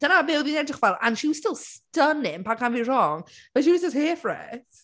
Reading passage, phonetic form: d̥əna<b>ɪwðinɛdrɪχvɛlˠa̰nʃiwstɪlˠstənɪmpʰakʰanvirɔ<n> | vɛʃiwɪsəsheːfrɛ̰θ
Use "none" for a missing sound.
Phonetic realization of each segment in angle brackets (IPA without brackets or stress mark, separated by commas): b, ŋ